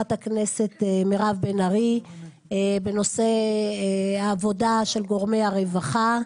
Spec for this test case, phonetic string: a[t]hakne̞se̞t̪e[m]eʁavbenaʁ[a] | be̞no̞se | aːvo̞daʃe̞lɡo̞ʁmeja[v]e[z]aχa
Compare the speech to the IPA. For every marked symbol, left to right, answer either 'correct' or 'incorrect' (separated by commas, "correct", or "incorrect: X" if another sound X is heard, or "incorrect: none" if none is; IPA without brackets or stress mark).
correct, correct, incorrect: i, incorrect: ʁ, incorrect: v